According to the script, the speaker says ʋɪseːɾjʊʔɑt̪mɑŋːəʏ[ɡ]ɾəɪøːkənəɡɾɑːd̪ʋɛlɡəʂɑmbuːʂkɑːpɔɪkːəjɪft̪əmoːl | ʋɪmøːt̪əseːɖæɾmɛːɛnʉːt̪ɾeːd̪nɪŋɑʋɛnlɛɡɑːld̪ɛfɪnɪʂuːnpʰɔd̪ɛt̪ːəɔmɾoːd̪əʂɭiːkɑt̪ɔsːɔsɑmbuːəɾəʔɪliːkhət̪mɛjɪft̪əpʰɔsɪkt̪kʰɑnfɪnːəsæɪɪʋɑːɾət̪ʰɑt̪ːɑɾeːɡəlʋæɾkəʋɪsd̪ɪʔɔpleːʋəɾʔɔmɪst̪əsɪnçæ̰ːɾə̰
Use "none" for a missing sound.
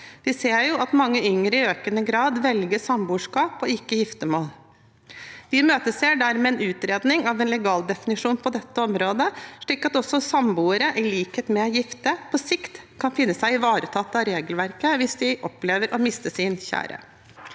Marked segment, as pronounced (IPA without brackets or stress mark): ŋ